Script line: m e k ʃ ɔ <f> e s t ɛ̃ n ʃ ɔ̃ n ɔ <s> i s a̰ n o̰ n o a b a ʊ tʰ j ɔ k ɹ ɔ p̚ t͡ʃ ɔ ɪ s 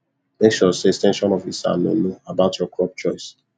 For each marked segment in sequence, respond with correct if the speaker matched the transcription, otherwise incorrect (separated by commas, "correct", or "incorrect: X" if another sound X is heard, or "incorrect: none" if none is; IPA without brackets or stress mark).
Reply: incorrect: s, incorrect: f